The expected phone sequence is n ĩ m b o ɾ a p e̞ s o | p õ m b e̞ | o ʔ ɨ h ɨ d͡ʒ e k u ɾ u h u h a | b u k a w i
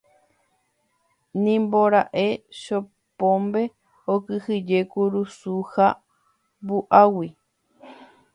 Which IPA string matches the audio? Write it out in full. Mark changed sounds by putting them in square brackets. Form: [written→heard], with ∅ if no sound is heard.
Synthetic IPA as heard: n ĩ m b o ɾ a [p→ʔ] e̞ [s→ʃ] o | p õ m b e̞ | o [ʔ→k] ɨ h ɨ d͡ʒ e k u ɾ u [h→s] u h a | b u [k→ʔ] a w i